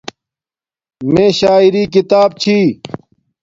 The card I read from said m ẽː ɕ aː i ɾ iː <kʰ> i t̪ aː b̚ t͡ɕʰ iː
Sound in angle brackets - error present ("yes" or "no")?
yes